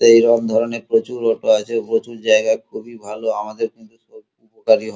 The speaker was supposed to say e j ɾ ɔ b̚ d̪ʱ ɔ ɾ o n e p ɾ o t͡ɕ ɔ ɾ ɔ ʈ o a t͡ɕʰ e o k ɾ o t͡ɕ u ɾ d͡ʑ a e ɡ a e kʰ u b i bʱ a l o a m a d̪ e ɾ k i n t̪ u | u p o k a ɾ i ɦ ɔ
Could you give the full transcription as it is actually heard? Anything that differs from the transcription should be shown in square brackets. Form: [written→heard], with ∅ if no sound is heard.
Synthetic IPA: e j ɾ ɔ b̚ d̪ʱ ɔ ɾ o n e p ɾ o t͡ɕ [ɔ→u] ɾ ɔ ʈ o a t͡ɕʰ e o [k→p] ɾ o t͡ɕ u ɾ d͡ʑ a e ɡ a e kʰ u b i bʱ a l o a m a d̪ e ɾ k i n t̪ u | u p o k a ɾ i ɦ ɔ